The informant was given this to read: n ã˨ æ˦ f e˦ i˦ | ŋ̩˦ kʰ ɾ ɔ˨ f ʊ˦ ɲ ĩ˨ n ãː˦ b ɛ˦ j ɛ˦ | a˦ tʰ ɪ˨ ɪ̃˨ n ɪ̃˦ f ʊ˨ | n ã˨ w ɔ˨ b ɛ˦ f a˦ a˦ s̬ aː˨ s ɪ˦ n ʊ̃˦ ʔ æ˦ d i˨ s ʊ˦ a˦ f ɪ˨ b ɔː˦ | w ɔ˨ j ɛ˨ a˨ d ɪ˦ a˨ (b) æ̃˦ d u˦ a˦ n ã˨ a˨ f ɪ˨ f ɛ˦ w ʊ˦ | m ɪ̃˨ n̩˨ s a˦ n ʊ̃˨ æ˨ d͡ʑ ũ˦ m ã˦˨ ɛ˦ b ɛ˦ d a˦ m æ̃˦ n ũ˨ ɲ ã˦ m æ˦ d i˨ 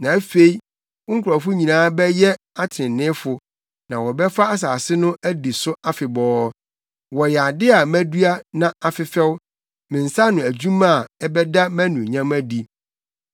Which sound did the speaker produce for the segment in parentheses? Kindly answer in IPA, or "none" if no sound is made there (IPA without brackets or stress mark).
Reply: m